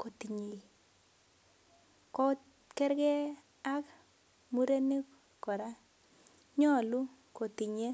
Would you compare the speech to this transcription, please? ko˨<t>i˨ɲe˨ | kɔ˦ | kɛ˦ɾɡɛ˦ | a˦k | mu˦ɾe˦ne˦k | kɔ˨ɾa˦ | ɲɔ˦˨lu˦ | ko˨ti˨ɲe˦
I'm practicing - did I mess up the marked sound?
no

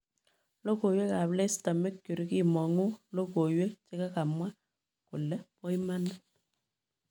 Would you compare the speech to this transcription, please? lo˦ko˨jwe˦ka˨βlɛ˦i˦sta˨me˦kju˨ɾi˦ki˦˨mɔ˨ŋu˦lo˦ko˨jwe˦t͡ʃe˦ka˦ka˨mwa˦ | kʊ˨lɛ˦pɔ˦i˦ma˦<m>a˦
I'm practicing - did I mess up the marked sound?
yes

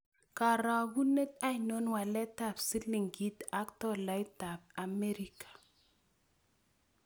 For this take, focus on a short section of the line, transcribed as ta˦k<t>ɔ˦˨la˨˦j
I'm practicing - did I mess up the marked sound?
no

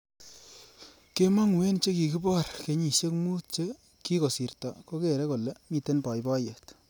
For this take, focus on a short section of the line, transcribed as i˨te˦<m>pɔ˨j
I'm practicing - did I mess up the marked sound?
yes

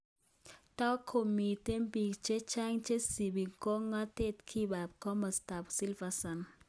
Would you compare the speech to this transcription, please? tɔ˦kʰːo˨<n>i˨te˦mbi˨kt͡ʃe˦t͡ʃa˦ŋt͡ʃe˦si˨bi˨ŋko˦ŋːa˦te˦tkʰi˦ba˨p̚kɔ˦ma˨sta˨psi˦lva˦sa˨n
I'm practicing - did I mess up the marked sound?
yes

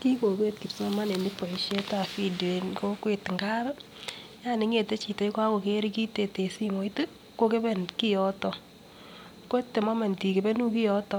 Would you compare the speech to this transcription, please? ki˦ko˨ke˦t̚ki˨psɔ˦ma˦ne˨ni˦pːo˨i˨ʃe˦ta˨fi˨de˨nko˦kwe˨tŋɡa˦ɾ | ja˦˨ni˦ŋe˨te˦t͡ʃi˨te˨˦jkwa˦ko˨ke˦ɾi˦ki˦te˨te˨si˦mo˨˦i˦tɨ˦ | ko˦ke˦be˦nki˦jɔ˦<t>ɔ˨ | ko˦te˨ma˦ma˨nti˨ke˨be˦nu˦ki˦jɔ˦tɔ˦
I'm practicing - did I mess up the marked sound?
no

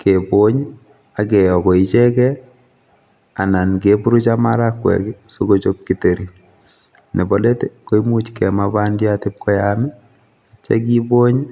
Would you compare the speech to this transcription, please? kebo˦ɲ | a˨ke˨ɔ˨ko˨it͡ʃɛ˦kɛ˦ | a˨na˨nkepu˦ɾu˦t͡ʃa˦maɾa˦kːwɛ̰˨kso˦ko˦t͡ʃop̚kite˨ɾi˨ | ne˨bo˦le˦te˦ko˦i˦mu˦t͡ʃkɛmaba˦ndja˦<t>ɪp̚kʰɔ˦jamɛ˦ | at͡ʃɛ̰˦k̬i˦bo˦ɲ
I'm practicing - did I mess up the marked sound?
no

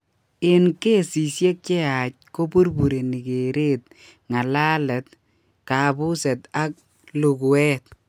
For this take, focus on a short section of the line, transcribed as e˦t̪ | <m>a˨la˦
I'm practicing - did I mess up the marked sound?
yes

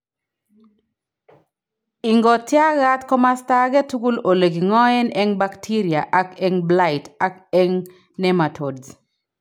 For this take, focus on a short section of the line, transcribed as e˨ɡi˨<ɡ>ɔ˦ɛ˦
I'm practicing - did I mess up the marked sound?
yes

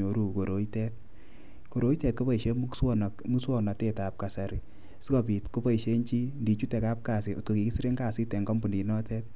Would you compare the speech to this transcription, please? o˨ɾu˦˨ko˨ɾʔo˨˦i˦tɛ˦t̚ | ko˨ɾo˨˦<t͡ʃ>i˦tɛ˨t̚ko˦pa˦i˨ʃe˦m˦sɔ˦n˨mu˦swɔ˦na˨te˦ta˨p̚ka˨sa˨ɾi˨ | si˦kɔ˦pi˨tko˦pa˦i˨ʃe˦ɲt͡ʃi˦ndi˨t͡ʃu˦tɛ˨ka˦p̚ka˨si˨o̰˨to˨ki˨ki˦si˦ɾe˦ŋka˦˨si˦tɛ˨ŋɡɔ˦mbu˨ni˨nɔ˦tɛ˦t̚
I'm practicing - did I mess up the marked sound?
yes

